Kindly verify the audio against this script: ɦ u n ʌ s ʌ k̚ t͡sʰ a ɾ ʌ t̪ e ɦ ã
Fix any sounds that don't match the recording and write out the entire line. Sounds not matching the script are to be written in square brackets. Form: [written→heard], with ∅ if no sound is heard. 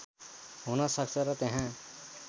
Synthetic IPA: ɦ u n ʌ s ʌ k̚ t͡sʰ [a→ʌ] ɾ ʌ t̪ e ɦ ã